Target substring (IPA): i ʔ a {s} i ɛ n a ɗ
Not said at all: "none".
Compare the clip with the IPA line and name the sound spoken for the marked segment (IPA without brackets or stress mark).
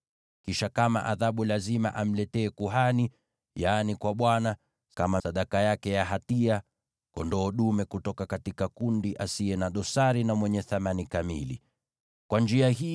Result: s